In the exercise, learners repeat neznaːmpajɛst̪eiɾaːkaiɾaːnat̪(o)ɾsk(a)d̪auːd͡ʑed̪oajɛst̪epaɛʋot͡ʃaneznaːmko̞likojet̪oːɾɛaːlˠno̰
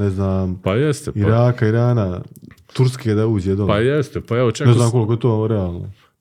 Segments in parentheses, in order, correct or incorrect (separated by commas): incorrect, incorrect